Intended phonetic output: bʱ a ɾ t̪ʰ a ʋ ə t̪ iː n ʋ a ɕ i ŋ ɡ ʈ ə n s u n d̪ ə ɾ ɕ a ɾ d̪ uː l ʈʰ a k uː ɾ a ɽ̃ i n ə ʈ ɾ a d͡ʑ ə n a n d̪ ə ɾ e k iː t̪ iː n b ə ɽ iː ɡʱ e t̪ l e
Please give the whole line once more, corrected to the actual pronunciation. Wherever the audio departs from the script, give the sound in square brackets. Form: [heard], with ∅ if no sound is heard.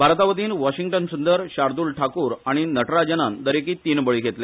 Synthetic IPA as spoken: bʱ a ɾ [t̪] a ʋ ə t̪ iː n ʋ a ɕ i ŋ ɡ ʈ ə n s u n d̪ ə ɾ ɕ a ɾ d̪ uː l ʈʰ a k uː ɾ a ɽ̃ i n ə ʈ ɾ a d͡ʑ ə n a n d̪ ə ɾ e k iː t̪ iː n b ə [ɭ] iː ɡʱ e t̪ l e